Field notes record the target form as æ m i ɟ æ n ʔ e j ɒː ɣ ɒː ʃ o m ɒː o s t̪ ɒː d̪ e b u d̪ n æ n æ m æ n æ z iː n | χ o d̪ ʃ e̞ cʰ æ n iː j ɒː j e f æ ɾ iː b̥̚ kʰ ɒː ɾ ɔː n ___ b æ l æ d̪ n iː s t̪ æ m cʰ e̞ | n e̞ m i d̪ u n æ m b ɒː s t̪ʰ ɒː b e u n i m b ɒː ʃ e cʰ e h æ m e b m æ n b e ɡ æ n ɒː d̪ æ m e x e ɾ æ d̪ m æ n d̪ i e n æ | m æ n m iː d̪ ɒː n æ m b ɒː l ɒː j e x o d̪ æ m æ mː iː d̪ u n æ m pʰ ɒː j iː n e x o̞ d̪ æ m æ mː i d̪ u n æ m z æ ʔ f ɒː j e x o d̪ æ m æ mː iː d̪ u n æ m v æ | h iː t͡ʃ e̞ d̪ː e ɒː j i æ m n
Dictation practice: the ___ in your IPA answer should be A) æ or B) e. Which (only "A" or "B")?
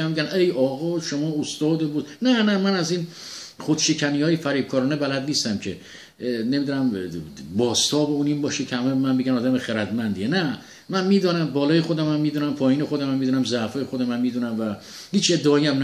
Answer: B